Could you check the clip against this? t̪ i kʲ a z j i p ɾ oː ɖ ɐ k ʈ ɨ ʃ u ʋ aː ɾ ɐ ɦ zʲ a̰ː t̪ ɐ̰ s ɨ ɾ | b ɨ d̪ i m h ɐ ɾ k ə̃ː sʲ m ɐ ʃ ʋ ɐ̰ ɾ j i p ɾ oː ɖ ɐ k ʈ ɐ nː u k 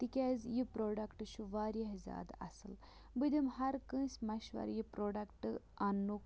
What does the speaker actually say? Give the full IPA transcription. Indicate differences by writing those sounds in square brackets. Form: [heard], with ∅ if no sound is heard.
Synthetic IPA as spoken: t̪ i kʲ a z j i p ɾ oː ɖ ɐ k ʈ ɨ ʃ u ʋ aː ɾ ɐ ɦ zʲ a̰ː [d̪] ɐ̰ s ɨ [l] | b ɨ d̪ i m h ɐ ɾ k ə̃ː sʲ m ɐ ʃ ʋ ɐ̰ ɾ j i p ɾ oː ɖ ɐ k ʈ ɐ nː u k